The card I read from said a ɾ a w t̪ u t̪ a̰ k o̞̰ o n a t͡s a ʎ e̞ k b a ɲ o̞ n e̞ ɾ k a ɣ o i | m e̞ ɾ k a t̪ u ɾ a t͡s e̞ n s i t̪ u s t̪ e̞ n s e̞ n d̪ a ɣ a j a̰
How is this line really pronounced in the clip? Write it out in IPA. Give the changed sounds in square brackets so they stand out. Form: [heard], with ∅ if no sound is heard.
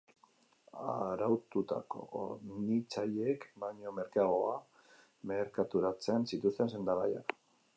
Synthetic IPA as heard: a ɾ a w t̪ u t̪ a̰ k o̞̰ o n [i] t͡s a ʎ e̞ k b a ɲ o̞ [m] e̞ ɾ k a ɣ o [a] | m e̞ ɾ k a t̪ u ɾ a t͡s e̞ n s i t̪ u s t̪ e̞ n s e̞ n d̪ a ɣ a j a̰